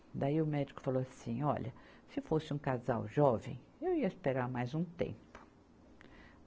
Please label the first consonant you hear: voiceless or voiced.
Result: voiced